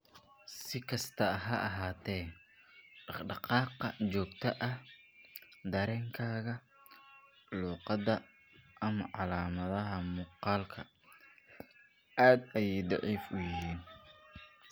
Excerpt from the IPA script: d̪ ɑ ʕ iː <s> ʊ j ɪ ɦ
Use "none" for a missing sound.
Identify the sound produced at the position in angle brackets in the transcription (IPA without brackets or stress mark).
f